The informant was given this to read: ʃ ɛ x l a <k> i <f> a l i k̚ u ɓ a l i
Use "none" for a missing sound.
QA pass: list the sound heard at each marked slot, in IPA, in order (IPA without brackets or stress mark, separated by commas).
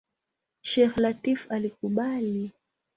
t, f